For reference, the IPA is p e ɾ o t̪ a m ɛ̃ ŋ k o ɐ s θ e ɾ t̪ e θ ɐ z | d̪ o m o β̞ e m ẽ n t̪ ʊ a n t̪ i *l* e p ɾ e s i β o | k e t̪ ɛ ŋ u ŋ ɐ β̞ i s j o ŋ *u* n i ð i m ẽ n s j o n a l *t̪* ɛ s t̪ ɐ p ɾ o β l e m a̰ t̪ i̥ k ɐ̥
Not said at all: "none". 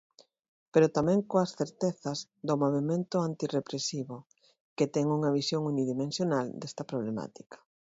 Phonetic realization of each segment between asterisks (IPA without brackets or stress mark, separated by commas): r, u, d̪